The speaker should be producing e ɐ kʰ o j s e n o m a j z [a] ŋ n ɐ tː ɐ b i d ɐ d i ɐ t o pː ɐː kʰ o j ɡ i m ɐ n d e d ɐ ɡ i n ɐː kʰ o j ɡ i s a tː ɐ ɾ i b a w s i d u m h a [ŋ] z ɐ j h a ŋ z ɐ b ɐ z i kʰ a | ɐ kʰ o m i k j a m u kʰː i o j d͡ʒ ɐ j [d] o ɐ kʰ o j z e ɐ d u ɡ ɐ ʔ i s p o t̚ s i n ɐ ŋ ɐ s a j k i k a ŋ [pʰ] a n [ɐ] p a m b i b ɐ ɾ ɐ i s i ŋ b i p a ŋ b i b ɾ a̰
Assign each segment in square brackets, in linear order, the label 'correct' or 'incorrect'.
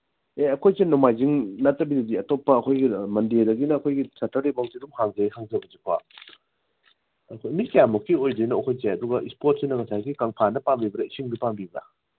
incorrect: i, correct, incorrect: n, correct, correct

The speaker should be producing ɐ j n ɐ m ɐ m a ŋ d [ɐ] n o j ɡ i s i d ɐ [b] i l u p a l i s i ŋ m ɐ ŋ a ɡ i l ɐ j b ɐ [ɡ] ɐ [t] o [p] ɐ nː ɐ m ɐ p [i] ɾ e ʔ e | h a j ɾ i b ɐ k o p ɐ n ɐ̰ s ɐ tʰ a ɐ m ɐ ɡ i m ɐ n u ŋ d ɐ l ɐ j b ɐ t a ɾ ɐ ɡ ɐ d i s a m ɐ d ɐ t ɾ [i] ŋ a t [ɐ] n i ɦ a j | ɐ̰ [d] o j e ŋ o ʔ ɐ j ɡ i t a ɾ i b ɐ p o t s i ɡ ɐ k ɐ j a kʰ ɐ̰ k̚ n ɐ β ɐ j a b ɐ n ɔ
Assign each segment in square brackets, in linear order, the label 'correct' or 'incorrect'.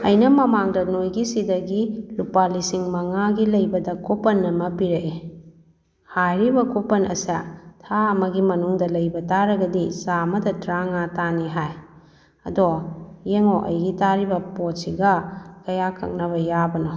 correct, incorrect: ɡ, incorrect: d, incorrect: k, correct, correct, incorrect: a, incorrect: a, correct

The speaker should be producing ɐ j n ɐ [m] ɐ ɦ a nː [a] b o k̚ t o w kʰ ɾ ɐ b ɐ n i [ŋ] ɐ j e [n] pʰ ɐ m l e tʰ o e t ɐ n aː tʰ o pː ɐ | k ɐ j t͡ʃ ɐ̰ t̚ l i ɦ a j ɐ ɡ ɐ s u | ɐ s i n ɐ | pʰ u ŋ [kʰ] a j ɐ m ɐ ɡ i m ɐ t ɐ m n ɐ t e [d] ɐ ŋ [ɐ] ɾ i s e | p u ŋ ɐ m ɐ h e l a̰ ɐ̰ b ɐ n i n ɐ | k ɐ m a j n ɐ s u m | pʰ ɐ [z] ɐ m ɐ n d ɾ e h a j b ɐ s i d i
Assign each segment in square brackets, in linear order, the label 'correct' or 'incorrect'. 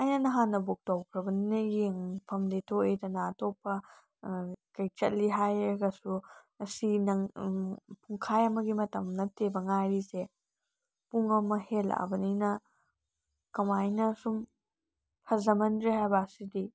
incorrect: n, incorrect: ɐ, incorrect: n, incorrect: ŋ, correct, incorrect: b, incorrect: a, correct

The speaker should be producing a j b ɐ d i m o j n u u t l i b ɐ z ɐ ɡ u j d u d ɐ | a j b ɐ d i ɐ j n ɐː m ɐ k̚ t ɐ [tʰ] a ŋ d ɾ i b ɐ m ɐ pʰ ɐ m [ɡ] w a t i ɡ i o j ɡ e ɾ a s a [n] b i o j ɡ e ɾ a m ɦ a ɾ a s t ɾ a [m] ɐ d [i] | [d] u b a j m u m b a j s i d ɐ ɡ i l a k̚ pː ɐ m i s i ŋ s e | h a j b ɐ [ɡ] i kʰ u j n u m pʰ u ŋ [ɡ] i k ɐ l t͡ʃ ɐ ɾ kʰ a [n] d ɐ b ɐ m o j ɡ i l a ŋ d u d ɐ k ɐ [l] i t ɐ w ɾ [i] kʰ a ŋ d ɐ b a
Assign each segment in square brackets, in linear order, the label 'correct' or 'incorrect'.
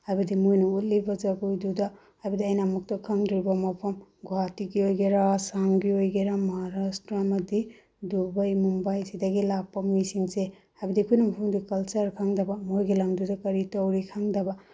incorrect: kʰ, correct, incorrect: ŋ, correct, correct, correct, incorrect: d, incorrect: d, incorrect: ŋ, incorrect: ɾ, correct

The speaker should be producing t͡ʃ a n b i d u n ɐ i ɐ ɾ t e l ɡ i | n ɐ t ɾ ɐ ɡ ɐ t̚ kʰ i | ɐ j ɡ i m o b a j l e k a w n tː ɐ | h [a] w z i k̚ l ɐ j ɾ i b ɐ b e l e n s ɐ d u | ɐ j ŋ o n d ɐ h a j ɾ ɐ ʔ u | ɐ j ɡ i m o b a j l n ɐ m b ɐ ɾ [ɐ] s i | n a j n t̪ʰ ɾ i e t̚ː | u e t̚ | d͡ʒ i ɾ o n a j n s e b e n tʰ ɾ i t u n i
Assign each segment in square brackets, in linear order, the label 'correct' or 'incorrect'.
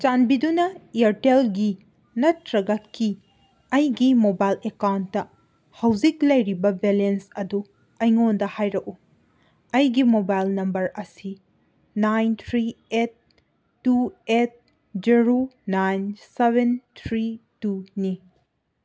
incorrect: ɐ, correct

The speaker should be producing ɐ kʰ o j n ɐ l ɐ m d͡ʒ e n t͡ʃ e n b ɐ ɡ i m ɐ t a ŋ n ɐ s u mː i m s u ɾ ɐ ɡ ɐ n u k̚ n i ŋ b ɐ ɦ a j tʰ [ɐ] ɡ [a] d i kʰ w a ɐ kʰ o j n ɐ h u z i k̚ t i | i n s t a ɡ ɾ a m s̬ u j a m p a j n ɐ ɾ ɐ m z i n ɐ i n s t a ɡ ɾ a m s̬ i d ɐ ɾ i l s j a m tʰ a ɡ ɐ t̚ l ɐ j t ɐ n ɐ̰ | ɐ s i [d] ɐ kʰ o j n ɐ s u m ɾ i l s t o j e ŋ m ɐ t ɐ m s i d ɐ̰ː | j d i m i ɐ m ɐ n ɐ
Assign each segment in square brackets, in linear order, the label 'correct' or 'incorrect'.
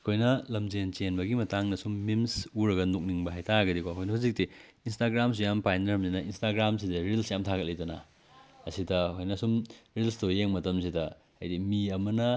incorrect: a, incorrect: ɐ, correct

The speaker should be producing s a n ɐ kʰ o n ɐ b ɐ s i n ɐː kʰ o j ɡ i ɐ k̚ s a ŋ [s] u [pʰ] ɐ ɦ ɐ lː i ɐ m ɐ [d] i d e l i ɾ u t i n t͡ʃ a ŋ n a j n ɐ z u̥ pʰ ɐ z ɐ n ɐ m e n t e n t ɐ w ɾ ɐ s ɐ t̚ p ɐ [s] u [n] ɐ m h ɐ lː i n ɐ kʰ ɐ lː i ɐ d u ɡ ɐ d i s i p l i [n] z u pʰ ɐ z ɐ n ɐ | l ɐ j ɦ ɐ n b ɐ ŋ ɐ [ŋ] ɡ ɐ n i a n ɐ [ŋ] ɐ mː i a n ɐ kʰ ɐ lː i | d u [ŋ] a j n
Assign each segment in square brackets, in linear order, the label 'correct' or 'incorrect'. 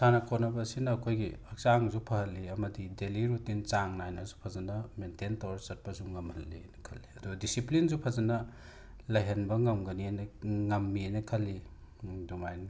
incorrect: z, correct, correct, incorrect: z, incorrect: ŋ, correct, incorrect: m, correct, incorrect: m

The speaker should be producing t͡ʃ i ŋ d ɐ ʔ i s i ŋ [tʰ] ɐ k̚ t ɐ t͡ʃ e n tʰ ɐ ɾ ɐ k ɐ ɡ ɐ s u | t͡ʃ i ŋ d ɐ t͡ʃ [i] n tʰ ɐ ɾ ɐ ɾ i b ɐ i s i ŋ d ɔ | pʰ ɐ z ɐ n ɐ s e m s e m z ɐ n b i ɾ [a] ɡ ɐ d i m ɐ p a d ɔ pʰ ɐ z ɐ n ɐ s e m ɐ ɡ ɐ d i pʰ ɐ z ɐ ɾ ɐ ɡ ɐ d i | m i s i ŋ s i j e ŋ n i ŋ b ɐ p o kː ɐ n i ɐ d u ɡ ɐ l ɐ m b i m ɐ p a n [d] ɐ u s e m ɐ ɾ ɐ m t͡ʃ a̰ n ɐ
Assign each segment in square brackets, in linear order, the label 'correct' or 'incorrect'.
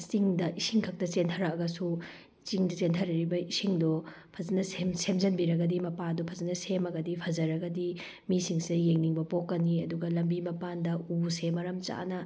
incorrect: kʰ, incorrect: e, incorrect: ɐ, correct

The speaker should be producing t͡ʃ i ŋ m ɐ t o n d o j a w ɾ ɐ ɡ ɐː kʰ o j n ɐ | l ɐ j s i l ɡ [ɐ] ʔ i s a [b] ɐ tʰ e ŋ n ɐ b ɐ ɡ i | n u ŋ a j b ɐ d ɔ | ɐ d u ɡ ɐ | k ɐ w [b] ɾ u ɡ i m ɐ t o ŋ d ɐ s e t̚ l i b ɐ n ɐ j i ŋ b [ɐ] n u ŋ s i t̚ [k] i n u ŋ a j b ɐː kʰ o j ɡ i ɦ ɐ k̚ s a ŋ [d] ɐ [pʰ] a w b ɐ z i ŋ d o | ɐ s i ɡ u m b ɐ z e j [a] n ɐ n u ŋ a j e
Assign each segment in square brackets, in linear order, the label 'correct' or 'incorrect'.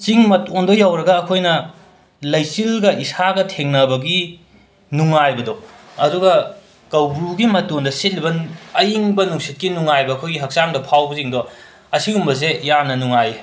correct, incorrect: ɡ, correct, correct, correct, correct, correct, correct

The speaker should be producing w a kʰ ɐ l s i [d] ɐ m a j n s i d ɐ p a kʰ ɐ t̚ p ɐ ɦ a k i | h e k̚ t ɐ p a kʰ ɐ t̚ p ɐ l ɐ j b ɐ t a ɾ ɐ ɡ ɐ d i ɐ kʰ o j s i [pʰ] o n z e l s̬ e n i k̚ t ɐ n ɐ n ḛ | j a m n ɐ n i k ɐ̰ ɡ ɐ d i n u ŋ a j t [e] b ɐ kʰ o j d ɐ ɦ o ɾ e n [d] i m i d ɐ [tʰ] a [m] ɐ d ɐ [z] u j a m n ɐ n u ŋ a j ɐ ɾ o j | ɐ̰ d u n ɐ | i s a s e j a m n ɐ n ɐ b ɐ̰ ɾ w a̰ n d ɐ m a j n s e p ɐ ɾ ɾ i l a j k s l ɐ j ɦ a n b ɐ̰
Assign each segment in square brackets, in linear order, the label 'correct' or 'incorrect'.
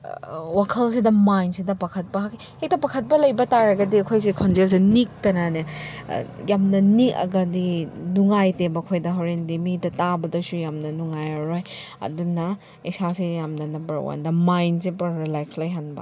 correct, incorrect: kʰ, correct, correct, incorrect: t, incorrect: b, incorrect: s

